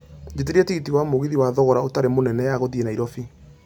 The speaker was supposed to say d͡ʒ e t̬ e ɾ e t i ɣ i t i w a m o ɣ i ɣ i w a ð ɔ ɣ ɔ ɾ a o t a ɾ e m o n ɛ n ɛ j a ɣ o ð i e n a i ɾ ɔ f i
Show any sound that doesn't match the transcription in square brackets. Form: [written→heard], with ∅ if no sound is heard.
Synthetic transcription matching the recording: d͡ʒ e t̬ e ɾ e t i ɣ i t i w a m o ɣ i [ɣ→ð] i w a ð ɔ ɣ ɔ ɾ a o t a ɾ e m o n ɛ n ɛ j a ɣ o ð i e n a i ɾ ɔ f i